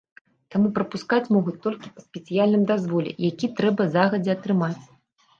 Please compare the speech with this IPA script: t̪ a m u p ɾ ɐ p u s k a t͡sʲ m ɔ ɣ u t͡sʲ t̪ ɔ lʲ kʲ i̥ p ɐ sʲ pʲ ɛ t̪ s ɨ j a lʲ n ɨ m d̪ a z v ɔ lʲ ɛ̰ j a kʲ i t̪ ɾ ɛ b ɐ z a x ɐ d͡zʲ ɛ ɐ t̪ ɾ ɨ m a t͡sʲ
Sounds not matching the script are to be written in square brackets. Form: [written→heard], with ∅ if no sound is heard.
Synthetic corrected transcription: t̪ a m u p ɾ ɐ p u s k a t͡sʲ m ɔ ɣ u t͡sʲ t̪ ɔ lʲ kʲ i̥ p ɐ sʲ pʲ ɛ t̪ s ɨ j a lʲ n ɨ m d̪ a z v ɔ lʲ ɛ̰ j a kʲ i t̪ ɾ ɛ b ɐ z a [x→ɣ] ɐ d͡zʲ ɛ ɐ t̪ ɾ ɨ m a t͡sʲ

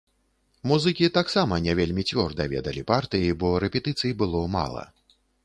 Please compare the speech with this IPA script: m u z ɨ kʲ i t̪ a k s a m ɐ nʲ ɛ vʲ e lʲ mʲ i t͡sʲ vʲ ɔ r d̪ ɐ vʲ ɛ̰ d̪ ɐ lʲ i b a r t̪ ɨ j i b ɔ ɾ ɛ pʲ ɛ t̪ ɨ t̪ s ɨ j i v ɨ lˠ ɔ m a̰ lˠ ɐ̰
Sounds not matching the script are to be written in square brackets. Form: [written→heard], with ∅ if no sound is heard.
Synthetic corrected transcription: m u z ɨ kʲ i t̪ a k s a m ɐ nʲ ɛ vʲ e lʲ mʲ i t͡sʲ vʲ ɔ r d̪ ɐ vʲ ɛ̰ d̪ ɐ lʲ i [b→p] a r t̪ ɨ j i b ɔ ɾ ɛ pʲ ɛ t̪ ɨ t̪ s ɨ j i [v→b] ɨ lˠ ɔ m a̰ lˠ ɐ̰

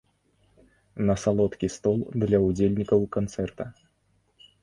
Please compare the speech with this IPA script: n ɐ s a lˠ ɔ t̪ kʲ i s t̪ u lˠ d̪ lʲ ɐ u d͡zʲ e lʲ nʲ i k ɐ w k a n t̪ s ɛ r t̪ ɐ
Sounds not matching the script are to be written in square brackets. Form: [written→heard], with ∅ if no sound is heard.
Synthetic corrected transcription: n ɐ s a lˠ ɔ t̪ kʲ i s t̪ [u→ɔ] lˠ d̪ lʲ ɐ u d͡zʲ e lʲ nʲ i k ɐ w k a n t̪ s ɛ r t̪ ɐ

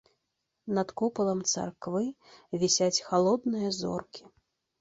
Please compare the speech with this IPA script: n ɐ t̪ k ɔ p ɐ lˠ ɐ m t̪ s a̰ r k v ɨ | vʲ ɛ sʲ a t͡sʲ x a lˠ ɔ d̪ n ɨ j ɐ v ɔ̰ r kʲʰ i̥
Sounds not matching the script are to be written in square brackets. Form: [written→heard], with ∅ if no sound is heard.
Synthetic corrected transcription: n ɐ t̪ k ɔ p ɐ lˠ ɐ m t̪ s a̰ r k v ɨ | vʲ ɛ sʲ a t͡sʲ x a lˠ ɔ d̪ n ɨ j ɐ [v→z] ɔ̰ r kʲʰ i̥

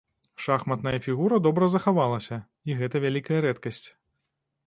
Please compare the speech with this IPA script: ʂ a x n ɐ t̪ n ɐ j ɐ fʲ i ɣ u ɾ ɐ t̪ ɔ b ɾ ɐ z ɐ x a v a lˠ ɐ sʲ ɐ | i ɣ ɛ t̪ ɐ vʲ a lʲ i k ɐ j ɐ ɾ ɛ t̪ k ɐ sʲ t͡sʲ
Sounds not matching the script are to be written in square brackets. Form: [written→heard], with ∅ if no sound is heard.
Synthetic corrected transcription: ʂ a x [n→m] ɐ t̪ n ɐ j ɐ fʲ i ɣ u ɾ ɐ [t̪→d̪] ɔ b ɾ ɐ z ɐ x a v a lˠ ɐ sʲ ɐ | i ɣ ɛ t̪ ɐ vʲ a lʲ i k ɐ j ɐ ɾ ɛ t̪ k ɐ sʲ t͡sʲ

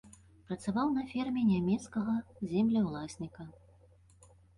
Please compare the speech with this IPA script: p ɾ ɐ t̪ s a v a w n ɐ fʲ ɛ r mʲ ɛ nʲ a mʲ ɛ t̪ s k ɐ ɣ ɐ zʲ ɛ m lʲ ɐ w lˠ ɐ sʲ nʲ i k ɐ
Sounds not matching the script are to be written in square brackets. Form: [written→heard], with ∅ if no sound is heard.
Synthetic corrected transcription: p ɾ ɐ t̪ s a v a w n ɐ fʲ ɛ r mʲ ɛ nʲ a mʲ ɛ t̪ s k ɐ ɣ ɐ zʲ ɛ m lʲ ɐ w lˠ [ɐ→a] sʲ nʲ i k ɐ

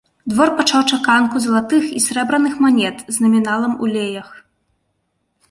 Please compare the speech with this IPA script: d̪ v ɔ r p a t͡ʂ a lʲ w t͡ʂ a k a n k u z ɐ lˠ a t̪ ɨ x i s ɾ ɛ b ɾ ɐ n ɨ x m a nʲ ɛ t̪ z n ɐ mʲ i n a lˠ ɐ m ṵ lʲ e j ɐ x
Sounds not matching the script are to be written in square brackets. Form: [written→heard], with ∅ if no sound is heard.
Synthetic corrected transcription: d̪ v ɔ r p a t͡ʂ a [lʲ→∅] w t͡ʂ a k a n k u z ɐ lˠ a t̪ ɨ x i s ɾ ɛ b ɾ ɐ n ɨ x m a nʲ ɛ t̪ z n ɐ mʲ i n a lˠ ɐ m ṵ lʲ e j ɐ x

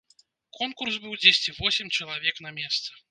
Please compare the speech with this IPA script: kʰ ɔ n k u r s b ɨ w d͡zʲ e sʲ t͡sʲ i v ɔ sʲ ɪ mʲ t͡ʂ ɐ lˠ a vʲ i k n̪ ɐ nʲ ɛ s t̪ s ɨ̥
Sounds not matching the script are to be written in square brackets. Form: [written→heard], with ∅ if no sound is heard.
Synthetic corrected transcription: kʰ ɔ n k u r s b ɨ w d͡zʲ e sʲ t͡sʲ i v ɔ sʲ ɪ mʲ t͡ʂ ɐ lˠ a vʲ [i→ɛ] k n̪ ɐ [nʲ→mʲ] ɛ s t̪ s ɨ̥

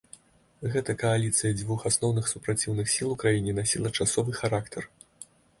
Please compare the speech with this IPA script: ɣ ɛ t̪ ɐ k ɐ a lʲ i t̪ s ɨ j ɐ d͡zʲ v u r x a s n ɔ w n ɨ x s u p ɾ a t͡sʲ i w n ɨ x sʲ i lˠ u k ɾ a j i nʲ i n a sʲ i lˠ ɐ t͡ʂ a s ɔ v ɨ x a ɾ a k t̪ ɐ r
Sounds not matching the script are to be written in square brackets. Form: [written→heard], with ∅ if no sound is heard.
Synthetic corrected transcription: ɣ ɛ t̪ ɐ k ɐ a lʲ i t̪ s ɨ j ɐ d͡zʲ v u [r→∅] x a s n ɔ w n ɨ x s u p ɾ a t͡sʲ i w n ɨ x sʲ i lˠ u k ɾ a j i nʲ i n a sʲ i lˠ ɐ t͡ʂ a s ɔ v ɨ x a ɾ a k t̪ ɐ r

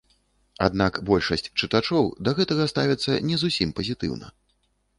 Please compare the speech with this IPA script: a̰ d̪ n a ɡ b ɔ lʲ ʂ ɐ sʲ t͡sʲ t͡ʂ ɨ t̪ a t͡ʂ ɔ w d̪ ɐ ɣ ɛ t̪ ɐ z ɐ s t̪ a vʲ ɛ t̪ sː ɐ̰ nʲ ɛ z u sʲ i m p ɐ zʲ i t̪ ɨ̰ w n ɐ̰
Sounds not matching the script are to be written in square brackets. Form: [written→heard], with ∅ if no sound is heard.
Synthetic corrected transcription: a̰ d̪ n a [ɡ→k] b ɔ lʲ ʂ ɐ sʲ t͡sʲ t͡ʂ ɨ t̪ a t͡ʂ ɔ w d̪ ɐ ɣ ɛ t̪ ɐ [z→ɣ] ɐ s t̪ a vʲ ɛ t̪ sː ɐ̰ nʲ ɛ z u sʲ i m p ɐ zʲ i t̪ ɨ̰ w n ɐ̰

